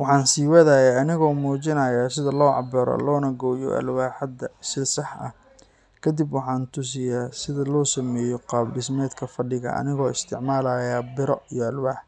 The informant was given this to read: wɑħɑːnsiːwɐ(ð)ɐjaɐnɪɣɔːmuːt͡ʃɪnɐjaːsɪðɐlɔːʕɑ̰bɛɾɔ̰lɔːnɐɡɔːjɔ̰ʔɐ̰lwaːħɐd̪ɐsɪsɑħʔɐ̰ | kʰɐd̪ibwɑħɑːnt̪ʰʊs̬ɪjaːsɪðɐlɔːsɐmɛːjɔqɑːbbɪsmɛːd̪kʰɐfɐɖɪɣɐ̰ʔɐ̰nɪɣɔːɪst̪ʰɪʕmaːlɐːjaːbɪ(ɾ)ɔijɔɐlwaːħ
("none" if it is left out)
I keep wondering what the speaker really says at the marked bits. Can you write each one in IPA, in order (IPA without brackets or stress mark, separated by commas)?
ð, ɾ